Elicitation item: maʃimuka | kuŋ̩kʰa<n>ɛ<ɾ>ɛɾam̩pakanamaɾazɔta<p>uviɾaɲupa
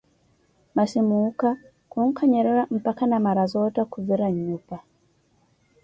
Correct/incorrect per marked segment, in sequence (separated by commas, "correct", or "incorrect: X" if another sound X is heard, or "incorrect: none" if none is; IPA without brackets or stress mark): incorrect: ɲ, correct, incorrect: k